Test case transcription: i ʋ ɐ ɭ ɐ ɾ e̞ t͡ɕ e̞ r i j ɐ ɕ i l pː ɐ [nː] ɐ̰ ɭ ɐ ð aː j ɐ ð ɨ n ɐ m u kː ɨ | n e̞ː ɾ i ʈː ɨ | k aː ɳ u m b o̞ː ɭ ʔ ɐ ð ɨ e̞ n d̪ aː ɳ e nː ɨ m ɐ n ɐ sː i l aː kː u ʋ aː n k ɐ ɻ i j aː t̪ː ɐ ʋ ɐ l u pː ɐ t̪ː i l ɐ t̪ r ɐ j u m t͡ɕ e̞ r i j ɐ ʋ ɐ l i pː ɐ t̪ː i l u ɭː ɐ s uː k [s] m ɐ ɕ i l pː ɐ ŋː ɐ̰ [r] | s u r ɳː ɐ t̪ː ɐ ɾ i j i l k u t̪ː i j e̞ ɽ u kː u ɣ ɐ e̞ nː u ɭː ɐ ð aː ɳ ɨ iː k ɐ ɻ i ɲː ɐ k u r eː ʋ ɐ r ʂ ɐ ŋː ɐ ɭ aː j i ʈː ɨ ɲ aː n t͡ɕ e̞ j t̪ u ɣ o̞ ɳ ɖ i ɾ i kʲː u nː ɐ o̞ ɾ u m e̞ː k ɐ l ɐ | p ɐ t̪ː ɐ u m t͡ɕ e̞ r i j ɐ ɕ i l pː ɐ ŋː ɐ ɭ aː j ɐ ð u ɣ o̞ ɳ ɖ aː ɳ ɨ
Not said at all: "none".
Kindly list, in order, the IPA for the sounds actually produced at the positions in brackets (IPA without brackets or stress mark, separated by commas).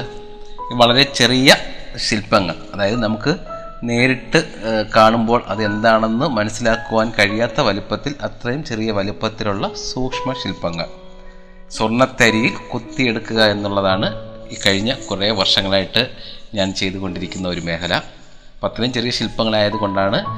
ŋː, ʂ, ɭ